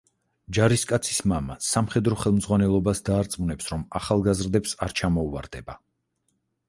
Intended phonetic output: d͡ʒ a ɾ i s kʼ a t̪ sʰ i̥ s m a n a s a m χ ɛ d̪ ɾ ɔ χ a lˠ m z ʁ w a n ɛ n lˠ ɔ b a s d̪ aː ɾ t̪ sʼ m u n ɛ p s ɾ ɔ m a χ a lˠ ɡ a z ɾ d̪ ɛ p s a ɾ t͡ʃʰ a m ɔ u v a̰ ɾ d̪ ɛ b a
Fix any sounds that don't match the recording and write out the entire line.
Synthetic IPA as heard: d͡ʒ a ɾ i s kʼ a t̪ sʰ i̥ s m a m a s a m χ ɛ d̪ ɾ ɔ χ ɛ lˠ m z ʁ w a n ɛ lˠ ɔ b a s d̪ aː ɾ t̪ sʼ m u n ɛ p s ɾ ɔ m a χ a lˠ ɡ a z ɾ d̪ ɛ p s a ɾ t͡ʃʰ a m ɔ u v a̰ ɾ d̪ ɛ b a